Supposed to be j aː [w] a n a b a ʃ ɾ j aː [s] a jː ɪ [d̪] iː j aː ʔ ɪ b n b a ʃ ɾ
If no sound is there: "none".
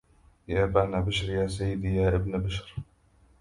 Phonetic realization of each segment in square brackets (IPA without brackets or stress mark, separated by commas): b, s, d̪